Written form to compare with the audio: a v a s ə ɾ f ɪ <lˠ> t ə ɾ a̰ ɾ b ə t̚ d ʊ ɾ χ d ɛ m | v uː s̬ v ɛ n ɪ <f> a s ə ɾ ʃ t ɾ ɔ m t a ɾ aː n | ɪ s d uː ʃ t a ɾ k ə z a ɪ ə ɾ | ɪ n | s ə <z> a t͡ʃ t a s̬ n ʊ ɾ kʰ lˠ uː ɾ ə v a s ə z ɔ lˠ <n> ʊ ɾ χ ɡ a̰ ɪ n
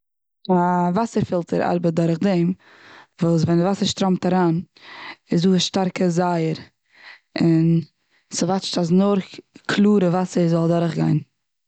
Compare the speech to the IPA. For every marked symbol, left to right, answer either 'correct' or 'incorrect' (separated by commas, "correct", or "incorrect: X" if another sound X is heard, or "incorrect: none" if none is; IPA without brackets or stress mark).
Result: correct, incorrect: v, incorrect: v, incorrect: d